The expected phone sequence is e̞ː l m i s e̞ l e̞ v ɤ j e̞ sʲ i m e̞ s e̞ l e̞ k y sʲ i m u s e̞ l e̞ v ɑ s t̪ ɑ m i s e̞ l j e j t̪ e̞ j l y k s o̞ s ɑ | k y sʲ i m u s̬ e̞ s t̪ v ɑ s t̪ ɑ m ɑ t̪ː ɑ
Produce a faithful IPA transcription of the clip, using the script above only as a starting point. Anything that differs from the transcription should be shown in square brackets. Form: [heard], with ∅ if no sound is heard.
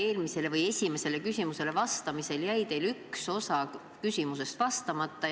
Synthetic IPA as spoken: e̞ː l m i s e̞ l e̞ v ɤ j e̞ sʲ i m e̞ s e̞ l e̞ k y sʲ i m u s e̞ l e̞ v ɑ s t̪ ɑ m i s e̞ l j [æ] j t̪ e̞ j l y k s o̞ s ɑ | k y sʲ i m u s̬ e̞ s t̪ v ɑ s t̪ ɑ m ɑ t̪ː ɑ